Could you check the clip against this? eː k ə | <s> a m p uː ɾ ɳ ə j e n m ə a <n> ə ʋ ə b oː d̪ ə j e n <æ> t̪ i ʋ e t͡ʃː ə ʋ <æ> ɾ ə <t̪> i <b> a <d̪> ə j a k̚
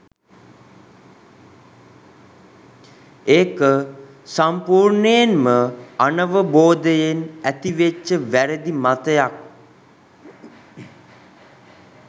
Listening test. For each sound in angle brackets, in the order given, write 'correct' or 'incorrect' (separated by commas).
correct, correct, correct, correct, incorrect, incorrect, incorrect